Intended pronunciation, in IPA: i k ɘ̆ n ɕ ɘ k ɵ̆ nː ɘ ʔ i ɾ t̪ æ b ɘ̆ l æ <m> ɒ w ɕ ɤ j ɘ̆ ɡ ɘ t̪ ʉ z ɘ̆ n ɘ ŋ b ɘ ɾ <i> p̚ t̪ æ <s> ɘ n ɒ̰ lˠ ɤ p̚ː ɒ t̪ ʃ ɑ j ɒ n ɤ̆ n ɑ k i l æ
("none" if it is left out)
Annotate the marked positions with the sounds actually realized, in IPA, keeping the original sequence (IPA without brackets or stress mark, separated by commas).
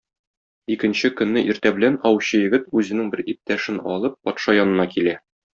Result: n, i, ʃ